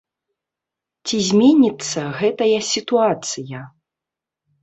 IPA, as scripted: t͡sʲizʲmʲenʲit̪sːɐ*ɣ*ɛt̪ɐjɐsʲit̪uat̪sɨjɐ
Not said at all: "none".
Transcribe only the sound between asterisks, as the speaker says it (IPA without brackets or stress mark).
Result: ɣ